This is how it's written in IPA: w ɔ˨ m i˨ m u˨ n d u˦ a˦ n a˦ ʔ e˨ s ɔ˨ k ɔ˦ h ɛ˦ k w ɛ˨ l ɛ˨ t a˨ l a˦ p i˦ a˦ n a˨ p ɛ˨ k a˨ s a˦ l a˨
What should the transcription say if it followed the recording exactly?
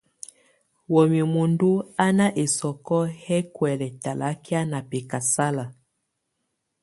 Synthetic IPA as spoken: w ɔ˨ m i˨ m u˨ n d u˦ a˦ n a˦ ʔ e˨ s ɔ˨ k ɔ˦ h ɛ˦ k w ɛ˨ l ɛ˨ t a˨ l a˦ k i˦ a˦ n a˨ p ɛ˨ k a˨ s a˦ l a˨